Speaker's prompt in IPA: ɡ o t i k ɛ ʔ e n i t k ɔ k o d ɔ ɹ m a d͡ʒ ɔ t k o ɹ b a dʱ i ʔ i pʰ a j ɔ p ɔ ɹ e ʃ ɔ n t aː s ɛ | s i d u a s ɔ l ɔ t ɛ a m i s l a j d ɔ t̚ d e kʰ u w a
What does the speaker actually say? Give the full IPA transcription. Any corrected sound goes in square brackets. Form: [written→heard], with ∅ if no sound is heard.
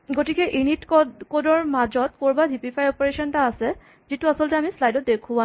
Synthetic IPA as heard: ɡ o t i k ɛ ʔ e n i t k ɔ k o d ɔ ɹ m a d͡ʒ ɔ t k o ɹ b a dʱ i [ʔ→p] i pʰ a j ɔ p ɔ ɹ e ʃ ɔ n t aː s ɛ | [s→z] i [d→t] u a s ɔ l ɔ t ɛ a m i s l a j d ɔ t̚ d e kʰ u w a

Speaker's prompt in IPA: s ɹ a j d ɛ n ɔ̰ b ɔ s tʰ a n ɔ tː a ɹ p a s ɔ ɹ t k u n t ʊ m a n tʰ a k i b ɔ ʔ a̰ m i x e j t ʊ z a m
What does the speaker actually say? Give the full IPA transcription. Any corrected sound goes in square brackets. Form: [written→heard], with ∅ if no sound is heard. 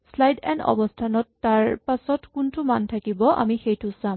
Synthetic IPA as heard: s [ɹ→l] a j d ɛ n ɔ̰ b ɔ s tʰ a n ɔ tː a ɹ p a s ɔ [ɹ→∅] t k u n t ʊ m a n tʰ a k i b ɔ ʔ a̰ m i x e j t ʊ [z→s] a m

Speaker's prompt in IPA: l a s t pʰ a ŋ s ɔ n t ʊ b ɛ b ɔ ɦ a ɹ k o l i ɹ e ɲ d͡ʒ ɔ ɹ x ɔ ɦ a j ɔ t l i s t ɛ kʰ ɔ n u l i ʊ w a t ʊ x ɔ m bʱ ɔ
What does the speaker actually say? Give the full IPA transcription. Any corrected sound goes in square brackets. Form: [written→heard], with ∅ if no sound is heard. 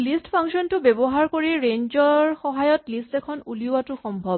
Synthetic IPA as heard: l [a→i] s t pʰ a ŋ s ɔ n t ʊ b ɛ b ɔ ɦ a ɹ k o [l→ɹ] i ɹ e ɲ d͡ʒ ɔ ɹ x ɔ ɦ a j ɔ t l i s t ɛ kʰ ɔ n u l i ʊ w a t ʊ x ɔ m bʱ ɔ

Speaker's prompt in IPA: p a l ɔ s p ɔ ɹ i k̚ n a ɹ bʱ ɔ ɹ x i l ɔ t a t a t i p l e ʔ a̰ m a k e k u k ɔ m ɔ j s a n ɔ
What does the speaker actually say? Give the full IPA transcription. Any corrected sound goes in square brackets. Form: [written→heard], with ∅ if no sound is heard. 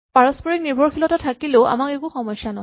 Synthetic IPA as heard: p a [l→ɹ] ɔ s p ɔ ɹ i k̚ n [a→i] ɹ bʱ ɔ ɹ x i l ɔ t a [t→tʰ] a [t→k] i [p→∅] l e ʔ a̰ m a k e k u [k→x] ɔ m ɔ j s a n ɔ

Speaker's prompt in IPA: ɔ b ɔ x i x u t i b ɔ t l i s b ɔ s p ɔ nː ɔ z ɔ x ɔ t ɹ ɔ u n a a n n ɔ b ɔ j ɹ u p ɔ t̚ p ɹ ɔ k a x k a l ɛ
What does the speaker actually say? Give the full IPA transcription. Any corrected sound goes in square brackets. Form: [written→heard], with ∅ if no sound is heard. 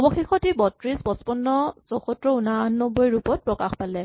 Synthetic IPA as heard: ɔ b ɔ x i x [u→ɔ] t i b ɔ t [l→ɹ] i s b ɔ s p ɔ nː ɔ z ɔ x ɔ t ɹ ɔ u n a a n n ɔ b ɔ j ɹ u p ɔ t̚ p ɹ ɔ k a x [k→p] a l ɛ

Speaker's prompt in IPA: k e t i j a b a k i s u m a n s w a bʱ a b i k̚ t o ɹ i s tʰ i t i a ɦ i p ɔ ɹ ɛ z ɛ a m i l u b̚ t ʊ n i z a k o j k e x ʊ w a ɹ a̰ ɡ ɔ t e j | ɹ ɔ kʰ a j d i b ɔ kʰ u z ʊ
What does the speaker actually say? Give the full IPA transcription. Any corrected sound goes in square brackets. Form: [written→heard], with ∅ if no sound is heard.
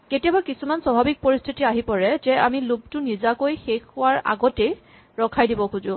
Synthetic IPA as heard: k e t i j a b a k i s u m a n s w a bʱ a b i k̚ [t→p] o ɹ i s tʰ i t i a ɦ i p ɔ ɹ ɛ z ɛ a m i l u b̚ t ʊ n i z a k o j [k→x] e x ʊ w a ɹ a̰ ɡ ɔ t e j | ɹ ɔ kʰ a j d i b ɔ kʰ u z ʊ

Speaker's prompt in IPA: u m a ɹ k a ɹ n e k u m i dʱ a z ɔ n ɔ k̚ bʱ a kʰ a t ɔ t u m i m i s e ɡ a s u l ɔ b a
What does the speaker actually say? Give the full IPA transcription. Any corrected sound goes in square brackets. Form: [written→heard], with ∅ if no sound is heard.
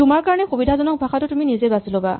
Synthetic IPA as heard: u m a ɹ k a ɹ n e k u [m→b] i dʱ a z ɔ n ɔ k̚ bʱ a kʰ a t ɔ t u m i [m→n] i [s→z] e [ɡ→b] a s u l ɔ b a

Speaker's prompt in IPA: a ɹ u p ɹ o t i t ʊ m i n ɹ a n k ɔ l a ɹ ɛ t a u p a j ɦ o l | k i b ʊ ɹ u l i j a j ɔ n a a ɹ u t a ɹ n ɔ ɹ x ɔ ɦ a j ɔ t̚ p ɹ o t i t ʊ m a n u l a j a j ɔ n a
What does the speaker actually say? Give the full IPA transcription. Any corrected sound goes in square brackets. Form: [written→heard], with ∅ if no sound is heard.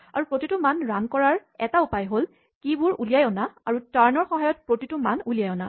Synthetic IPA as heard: a ɹ u p ɹ o t i t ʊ m [i→a] n ɹ a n k ɔ [l→ɹ] a ɹ ɛ t a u p a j ɦ o l | k i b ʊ ɹ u l i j a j ɔ n a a ɹ u t a ɹ n ɔ ɹ x ɔ ɦ a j ɔ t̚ p ɹ o t i t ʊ m a n u l [a→i] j a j ɔ n a

